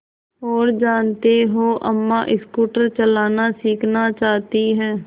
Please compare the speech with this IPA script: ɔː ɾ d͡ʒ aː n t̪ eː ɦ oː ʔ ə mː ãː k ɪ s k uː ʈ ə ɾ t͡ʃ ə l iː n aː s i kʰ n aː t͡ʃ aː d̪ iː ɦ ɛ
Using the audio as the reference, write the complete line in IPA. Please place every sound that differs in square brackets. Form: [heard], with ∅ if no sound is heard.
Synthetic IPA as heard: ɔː ɾ d͡ʒ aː n t̪ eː ɦ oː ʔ ə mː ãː [ʔ] ɪ s k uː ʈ ə ɾ t͡ʃ ə l [aː] n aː s [iː] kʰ n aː t͡ʃ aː [t̪] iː ɦ [ɛː]